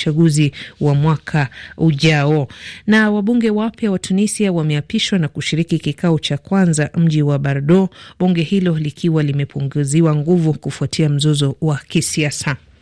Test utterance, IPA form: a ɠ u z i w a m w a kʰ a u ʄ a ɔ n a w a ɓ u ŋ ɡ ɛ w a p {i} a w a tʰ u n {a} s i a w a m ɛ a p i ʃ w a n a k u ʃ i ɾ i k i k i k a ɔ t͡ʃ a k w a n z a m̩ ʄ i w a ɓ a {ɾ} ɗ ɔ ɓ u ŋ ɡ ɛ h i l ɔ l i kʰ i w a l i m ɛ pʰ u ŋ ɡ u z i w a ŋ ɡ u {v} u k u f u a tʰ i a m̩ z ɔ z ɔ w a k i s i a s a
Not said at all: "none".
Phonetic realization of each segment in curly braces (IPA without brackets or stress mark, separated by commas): j, i, ɾ, v